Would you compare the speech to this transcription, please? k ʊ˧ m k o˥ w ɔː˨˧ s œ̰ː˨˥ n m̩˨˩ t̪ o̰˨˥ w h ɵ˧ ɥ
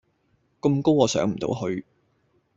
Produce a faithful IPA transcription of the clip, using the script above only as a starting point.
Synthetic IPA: k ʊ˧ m k o˥ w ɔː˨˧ s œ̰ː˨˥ ŋ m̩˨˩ t̪ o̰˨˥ w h ɵ˧ ɥ

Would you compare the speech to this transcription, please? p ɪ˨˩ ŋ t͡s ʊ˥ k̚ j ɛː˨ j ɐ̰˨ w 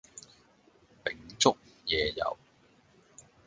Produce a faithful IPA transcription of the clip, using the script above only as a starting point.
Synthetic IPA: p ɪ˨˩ ŋ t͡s ʊ˥ k̚ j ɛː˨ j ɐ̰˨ w

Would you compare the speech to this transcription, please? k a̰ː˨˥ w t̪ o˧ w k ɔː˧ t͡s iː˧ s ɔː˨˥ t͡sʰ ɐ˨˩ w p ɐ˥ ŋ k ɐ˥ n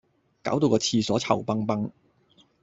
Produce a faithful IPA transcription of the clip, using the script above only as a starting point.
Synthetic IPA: k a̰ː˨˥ w t̪ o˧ w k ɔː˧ t͡sʰ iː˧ s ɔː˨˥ t͡sʰ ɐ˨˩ w p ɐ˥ ŋ p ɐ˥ ŋ

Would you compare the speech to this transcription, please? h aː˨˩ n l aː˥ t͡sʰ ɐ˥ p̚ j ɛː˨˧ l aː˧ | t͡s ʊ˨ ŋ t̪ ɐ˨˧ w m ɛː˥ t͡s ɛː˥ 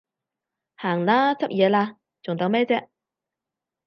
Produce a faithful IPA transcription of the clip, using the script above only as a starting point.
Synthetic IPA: h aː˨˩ ŋ l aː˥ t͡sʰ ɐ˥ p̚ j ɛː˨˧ l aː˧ | t͡s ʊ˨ ŋ t̪ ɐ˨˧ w m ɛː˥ t͡s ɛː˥

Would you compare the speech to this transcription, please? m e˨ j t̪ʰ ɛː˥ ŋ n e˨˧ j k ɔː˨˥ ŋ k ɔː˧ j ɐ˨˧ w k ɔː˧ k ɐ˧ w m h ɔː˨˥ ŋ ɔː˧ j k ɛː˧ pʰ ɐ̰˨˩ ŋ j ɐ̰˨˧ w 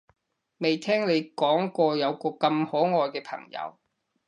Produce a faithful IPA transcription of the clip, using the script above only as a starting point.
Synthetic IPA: m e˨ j t̪ʰ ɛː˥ ŋ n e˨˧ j k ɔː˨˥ ŋ k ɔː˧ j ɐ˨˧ w k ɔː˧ k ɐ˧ m h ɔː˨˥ ŋ ɔː˧ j k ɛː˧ pʰ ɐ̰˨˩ ŋ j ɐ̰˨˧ w

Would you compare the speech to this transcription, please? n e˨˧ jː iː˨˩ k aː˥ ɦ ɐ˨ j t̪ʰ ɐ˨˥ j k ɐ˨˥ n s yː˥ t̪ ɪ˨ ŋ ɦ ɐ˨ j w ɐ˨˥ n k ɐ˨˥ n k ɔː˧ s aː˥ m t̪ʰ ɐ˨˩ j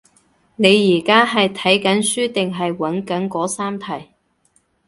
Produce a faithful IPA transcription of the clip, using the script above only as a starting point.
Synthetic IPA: n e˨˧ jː iː˨˩ k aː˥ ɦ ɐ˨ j t̪ʰ ɐ˨˥ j k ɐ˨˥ n s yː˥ t̪ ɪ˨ ŋ ɦ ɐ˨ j w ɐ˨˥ n k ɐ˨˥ n k ɔː˨˥ s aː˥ m t̪ʰ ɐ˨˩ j

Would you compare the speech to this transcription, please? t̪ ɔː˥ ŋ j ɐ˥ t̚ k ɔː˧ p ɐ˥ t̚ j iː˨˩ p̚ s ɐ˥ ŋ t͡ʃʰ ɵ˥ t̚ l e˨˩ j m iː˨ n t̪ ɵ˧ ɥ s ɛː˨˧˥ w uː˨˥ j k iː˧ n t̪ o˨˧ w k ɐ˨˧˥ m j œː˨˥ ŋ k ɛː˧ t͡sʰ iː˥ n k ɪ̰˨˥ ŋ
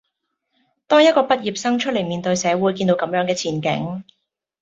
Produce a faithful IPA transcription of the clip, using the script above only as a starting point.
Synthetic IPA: t̪ ɔː˥ ŋ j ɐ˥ t̚ k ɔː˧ p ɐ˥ t̚ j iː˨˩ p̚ s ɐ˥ ŋ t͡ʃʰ ɵ˥ t̚ l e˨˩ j m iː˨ n t̪ ɵ˧ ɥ s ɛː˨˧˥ w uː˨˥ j k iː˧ n t̪ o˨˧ w k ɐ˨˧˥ m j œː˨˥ ŋ k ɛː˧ t͡sʰ iː˨˩ n k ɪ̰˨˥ ŋ

